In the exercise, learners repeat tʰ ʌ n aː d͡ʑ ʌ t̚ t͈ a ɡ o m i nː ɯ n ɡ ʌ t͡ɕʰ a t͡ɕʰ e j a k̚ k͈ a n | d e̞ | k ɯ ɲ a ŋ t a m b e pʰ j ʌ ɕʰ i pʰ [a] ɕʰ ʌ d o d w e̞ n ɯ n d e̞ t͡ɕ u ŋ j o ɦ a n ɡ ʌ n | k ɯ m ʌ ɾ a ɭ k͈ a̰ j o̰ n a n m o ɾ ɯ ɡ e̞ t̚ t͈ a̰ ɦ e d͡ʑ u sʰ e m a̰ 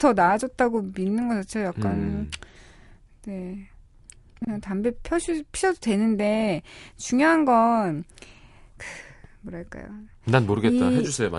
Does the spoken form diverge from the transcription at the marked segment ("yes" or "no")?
yes